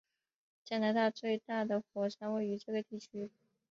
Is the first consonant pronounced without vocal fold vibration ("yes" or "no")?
yes